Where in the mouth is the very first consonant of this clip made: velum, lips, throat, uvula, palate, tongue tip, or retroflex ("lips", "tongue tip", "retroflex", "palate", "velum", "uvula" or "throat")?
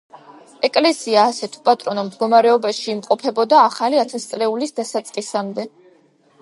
velum